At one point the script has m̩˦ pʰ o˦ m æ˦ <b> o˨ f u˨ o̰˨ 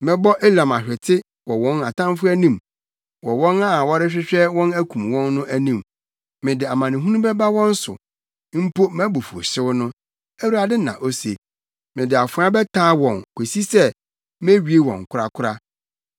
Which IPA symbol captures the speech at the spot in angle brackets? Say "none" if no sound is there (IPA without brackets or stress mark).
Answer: b